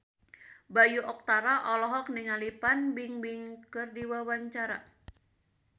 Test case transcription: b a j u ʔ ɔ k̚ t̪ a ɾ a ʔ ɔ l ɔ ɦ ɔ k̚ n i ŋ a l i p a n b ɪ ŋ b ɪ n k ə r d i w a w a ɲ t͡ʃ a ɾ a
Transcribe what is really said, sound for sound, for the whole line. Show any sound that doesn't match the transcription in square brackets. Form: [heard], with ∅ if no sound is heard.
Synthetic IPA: b a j u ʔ ɔ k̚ t̪ a ɾ a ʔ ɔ l ɔ ɦ ɔ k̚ n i ŋ a l i p a n b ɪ ŋ b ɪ [ŋ] k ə r d i w a w a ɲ t͡ʃ a ɾ a